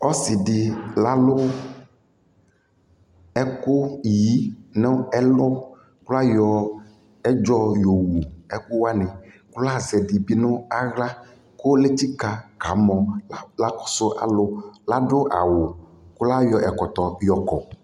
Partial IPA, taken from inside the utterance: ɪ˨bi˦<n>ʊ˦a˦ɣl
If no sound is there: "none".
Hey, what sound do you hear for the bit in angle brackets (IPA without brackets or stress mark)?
n